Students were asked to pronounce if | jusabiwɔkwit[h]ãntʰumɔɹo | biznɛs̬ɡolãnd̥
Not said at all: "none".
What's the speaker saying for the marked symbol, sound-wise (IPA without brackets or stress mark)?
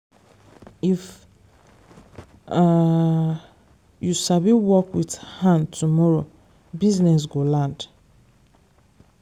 h